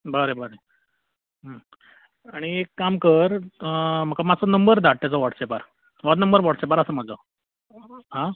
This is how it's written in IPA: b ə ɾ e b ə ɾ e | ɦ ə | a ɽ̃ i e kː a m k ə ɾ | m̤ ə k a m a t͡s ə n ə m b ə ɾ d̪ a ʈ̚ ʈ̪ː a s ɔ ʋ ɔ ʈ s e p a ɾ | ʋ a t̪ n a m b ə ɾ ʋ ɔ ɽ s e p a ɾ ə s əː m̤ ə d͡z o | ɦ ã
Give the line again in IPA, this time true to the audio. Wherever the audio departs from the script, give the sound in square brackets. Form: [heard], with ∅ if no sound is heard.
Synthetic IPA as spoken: b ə ɾ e b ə ɾ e | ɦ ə | a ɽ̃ i e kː a m k ə ɾ | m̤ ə k a m a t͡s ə n ə m b ə ɾ d̪ a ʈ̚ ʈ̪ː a [t͡s] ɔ ʋ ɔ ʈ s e p a ɾ | ʋ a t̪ n [ə] m b ə ɾ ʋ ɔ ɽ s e p a ɾ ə s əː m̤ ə d͡z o | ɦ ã